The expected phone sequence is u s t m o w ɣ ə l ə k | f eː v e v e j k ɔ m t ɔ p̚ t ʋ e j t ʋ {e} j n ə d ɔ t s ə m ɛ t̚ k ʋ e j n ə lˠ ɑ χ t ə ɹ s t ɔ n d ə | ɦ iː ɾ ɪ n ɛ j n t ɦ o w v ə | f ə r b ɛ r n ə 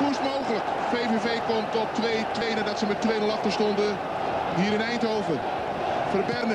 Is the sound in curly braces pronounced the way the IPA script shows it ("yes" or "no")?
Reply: yes